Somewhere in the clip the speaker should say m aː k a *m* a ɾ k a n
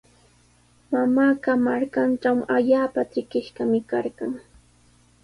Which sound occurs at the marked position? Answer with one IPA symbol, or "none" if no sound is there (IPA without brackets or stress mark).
m